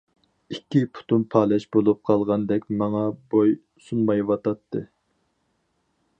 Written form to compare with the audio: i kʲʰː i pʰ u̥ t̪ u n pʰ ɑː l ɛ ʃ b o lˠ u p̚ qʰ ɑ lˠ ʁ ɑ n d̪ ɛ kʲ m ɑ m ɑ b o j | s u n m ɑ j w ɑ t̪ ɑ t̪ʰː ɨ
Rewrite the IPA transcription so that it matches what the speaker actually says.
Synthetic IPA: i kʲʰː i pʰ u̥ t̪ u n pʰ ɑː l ɛ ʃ b o lˠ u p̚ qʰ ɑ lˠ ʁ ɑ n d̪ ɛ kʲ m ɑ ŋ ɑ b o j | s u n m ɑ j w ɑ t̪ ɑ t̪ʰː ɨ

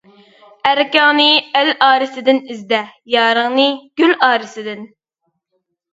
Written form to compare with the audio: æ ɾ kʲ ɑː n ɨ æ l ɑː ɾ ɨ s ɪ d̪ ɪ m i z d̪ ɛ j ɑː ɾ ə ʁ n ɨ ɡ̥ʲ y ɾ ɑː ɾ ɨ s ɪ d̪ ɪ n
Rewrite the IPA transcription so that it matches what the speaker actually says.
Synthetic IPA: æ ɾ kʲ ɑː n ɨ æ l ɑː ɾ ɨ s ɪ d̪ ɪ n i z d̪ ɛ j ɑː ɾ ə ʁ n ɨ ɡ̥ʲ y l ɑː ɾ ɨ s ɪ d̪ ɪ n

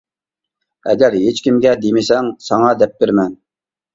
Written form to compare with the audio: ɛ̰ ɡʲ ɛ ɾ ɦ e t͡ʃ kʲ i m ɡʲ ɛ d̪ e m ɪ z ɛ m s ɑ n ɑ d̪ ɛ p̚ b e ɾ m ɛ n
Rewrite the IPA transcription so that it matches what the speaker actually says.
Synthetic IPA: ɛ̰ ɡʲ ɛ ɾ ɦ e t͡ʃ kʲ i m ɡʲ ɛ d̪ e m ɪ s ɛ ŋ s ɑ ŋ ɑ d̪ ɛ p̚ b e ɾ m ɛ n

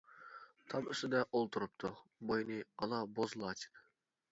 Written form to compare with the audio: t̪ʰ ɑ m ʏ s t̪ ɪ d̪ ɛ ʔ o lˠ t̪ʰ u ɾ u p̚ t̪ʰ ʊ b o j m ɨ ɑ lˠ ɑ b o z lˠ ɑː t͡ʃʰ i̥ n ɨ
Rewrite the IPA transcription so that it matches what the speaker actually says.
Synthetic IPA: t̪ʰ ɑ m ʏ s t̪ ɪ d̪ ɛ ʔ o lˠ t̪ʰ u ɾ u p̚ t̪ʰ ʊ b o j n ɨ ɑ lˠ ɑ b o z lˠ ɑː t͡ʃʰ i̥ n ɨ

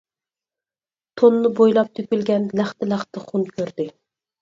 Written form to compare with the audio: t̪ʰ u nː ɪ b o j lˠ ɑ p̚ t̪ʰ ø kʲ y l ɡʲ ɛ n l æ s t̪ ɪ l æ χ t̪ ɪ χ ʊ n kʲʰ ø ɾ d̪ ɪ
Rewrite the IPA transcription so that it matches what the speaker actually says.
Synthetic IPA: t̪ʰ o nː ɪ b o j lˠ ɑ p̚ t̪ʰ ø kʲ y l ɡʲ ɛ n l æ χ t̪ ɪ l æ χ t̪ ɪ χ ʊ n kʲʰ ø ɾ d̪ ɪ

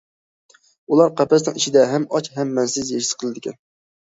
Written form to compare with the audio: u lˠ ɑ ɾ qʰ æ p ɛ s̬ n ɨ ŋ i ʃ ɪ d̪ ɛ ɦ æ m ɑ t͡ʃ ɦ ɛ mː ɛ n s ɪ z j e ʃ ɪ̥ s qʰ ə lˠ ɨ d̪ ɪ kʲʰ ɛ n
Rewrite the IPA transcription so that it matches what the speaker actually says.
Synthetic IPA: u lˠ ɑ ɾ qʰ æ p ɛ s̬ n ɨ ŋ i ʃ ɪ d̪ ɛ ɦ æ m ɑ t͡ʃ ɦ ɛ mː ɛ n s ɪ z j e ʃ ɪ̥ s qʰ ə lˠ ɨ d̪ ɪ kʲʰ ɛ n

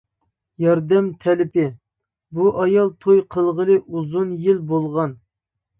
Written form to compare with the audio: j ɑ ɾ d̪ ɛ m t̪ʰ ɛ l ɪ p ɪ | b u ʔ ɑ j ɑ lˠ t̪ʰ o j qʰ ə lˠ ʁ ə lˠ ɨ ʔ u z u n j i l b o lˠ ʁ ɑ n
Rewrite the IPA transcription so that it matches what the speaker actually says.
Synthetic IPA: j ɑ ɾ d̪ ɛ m t̪ʰ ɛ l ɪ p ɪ | b u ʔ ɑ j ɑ lˠ t̪ʰ o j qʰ ə lˠ ʁ ə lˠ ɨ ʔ u z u n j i l b o lˠ ʁ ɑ n

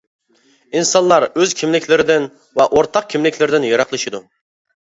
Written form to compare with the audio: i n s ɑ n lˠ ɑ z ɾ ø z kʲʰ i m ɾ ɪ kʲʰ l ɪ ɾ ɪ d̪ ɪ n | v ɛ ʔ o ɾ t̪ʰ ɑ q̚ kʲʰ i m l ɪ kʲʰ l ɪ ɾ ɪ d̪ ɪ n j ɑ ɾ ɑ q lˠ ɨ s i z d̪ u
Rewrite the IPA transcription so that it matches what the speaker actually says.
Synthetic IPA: i n s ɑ n lˠ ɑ ɾ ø z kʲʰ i m l ɪ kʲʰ l ɪ ɾ ɪ d̪ ɪ n | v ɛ ʔ o ɾ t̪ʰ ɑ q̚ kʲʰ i m l ɪ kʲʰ l ɪ ɾ ɪ d̪ ɪ n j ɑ ɾ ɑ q lˠ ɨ ʃ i d̪ u

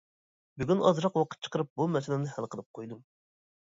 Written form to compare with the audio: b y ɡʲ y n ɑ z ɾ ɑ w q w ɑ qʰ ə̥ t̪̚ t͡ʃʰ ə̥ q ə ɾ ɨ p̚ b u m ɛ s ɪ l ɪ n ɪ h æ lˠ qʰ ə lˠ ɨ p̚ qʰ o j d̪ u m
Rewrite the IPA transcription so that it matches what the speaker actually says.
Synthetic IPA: b y ɡʲ y n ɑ z ɾ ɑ q w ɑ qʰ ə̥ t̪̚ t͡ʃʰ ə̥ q ə ɾ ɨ p̚ b u m ɛ s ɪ l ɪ n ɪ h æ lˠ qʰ ə lˠ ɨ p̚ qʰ o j d̪ u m

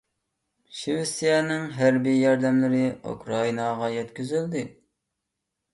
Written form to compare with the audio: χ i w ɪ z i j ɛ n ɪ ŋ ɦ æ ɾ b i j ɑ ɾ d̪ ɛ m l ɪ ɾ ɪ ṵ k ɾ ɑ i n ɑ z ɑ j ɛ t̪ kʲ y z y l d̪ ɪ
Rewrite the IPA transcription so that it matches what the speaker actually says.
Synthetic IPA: ʃ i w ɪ s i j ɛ n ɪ ŋ ɦ æ ɾ b i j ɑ ɾ d̪ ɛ m l ɪ ɾ ɪ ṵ k ɾ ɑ i n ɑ ʁ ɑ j ɛ t̪ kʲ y z y l d̪ ɪ

